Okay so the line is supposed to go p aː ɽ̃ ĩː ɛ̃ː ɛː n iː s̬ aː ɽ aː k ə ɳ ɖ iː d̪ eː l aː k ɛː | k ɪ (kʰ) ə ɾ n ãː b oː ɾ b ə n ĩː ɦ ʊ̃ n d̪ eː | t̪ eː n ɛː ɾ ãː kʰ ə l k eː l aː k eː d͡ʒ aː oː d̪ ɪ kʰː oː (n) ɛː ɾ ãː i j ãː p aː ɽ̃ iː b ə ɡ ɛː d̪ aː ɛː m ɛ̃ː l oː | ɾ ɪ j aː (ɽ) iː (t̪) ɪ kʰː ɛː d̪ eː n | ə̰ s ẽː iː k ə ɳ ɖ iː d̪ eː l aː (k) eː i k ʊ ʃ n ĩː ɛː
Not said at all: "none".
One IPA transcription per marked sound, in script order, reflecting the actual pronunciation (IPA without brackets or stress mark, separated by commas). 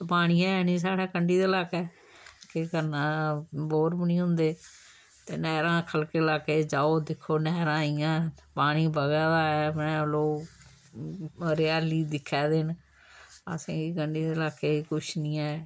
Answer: k, n, l, d̪, k